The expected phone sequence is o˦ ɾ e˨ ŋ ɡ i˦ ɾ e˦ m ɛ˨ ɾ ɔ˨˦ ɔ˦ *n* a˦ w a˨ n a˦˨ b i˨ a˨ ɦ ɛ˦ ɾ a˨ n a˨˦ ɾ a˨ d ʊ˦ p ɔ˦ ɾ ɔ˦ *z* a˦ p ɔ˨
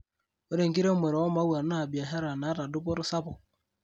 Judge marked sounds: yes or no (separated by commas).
no, no